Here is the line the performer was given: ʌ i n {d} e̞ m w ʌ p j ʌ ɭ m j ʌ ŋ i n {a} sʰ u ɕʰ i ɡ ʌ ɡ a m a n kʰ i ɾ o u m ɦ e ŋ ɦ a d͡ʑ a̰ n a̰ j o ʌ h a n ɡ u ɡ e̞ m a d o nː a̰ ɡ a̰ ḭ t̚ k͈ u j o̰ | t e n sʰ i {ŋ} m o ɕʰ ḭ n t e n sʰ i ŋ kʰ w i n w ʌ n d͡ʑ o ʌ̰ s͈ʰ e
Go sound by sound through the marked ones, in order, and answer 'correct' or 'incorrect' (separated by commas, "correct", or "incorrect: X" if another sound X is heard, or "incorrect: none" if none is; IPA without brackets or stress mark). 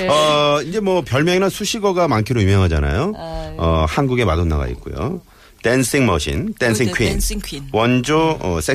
incorrect: d͡ʑ, correct, correct